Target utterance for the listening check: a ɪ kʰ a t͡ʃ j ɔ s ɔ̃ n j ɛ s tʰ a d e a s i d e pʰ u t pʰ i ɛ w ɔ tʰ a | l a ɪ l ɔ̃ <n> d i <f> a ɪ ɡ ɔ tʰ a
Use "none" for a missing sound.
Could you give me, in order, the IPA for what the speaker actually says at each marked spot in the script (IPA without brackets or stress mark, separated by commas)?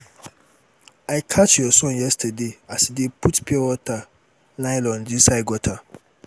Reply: n, s